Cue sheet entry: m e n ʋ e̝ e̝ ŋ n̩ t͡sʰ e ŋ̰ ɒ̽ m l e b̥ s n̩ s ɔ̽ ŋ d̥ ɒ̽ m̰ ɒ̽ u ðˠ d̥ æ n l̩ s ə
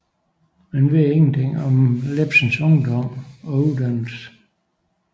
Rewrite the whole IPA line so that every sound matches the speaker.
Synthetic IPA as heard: m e n ʋ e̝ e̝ ŋ n̩ t͡sʰ e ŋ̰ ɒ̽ m l e b̥ s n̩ s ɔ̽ ŋ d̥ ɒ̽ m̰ ɒ̽ u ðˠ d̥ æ n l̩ s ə